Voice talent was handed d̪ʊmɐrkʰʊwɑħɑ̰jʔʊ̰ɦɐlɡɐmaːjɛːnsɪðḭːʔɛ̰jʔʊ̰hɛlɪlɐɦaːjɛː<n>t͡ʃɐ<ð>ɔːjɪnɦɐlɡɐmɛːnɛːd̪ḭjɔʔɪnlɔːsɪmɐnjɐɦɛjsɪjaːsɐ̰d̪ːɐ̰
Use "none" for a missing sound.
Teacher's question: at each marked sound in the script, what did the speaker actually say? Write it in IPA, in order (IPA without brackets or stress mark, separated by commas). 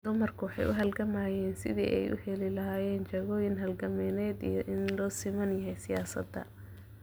n, ɣ